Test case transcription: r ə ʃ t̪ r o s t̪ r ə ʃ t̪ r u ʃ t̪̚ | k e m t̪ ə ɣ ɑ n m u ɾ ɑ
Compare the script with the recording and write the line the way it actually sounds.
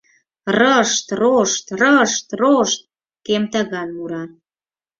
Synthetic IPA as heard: r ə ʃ t̪ r o ʃ t̪ r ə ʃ t̪ r o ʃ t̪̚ | k e m t̪ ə ɣ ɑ n m u ɾ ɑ